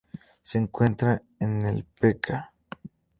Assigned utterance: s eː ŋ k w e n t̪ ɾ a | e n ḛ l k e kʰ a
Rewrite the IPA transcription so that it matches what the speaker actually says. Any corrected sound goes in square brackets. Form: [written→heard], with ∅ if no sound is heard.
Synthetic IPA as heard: s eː ŋ k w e n t̪ ɾ a | e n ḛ l [k→p] e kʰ a

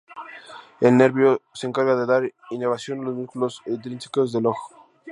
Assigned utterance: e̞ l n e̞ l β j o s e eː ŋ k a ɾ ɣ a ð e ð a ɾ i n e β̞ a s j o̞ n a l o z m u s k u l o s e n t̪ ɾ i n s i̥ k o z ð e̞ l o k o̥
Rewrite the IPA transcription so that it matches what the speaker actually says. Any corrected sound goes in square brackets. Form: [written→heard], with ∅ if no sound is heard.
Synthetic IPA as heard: e̞ l n e̞ [l→ɾ] β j o s e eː ŋ k a ɾ ɣ a ð e ð a ɾ i n e β̞ a s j o̞ n a l o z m u s k u l o s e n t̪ ɾ i n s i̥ k o z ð e̞ l o [k→x] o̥

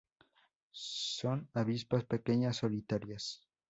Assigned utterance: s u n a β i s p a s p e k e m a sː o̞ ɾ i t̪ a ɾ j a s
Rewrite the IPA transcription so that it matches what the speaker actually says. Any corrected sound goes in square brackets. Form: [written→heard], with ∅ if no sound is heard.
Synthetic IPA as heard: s [u→o] n a β i s p a s p e k e [m→ɲ] a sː o̞ [ɾ→l] i t̪ a ɾ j a s

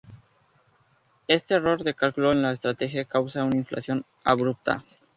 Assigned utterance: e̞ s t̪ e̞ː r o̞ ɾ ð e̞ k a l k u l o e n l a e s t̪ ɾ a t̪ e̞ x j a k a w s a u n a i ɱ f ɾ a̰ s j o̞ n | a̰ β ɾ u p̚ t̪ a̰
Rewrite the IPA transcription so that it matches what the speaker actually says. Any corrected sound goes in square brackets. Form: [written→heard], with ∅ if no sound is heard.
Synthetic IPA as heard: e̞ s t̪ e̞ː r o̞ ɾ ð e̞ k a l k u l o e n l a e s t̪ ɾ a t̪ e̞ x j a k a w s a u n a i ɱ f [ɾ→l] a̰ s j o̞ n | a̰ β ɾ u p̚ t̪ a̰

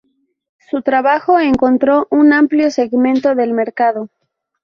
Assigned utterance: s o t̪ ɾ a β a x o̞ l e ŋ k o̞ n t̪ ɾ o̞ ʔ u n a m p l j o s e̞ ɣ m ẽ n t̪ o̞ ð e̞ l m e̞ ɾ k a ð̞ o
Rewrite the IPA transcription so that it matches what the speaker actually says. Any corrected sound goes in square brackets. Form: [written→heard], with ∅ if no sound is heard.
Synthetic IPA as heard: s [o→u] t̪ ɾ a β a x o̞ [l→∅] e ŋ k o̞ n t̪ ɾ o̞ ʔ u n a m p l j o s e̞ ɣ m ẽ n t̪ o̞ ð e̞ l m e̞ ɾ k a ð̞ o

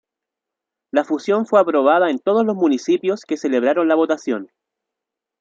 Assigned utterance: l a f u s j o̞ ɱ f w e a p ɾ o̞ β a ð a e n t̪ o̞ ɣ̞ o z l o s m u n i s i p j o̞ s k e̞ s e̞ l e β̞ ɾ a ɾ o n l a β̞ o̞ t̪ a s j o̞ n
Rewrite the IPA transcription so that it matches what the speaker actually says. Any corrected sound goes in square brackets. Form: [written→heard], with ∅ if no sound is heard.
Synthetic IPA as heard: l a f u s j o̞ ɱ f w e a p ɾ o̞ β a ð a e n t̪ o̞ [ɣ̞→ð̞] o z l o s m u n i s i p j o̞ s k e̞ s e̞ l e β̞ ɾ a ɾ o n l a β̞ o̞ t̪ a s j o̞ n

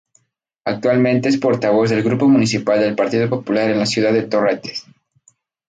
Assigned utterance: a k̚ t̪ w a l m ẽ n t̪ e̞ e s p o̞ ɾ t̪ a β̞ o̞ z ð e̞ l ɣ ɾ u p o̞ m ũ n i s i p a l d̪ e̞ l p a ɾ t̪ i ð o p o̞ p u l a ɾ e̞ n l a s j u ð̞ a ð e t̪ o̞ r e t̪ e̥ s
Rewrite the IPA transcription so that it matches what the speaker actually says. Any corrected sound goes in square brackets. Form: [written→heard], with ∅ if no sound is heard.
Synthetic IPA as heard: a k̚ t̪ w a l m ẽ n t̪ e̞ e s p o̞ ɾ t̪ a β̞ o̞ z ð e̞ l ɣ ɾ u p o̞ m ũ n i s i p a l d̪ e̞ l p a ɾ t̪ i ð o p o̞ p u l a ɾ e̞ n l a s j u ð̞ a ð e t̪ o̞ r e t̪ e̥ s

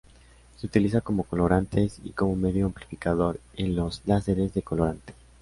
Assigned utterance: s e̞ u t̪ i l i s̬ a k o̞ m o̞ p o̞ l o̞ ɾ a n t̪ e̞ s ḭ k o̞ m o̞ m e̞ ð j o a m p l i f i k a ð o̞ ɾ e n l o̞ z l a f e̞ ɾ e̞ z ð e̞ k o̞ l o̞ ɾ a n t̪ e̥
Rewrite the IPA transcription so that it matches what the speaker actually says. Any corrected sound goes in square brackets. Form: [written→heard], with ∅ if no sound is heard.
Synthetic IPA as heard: s e̞ u t̪ i l i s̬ a k o̞ m o̞ [p→k] o̞ l o̞ ɾ a n t̪ e̞ s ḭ k o̞ m o̞ m e̞ ð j o a m p l i f i k a ð o̞ ɾ e n l o̞ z l a [f→s] e̞ ɾ e̞ z ð e̞ k o̞ l o̞ ɾ a n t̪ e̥

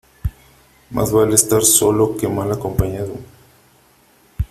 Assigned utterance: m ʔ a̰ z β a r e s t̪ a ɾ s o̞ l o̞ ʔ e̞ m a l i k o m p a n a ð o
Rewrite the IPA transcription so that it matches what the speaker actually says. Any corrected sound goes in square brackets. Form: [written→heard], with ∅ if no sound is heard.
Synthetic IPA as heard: m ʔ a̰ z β a [r→l] e s t̪ a ɾ s o̞ l o̞ [ʔ→k] e̞ m a l [i→a] k o m p a [n→ɲ] a ð o

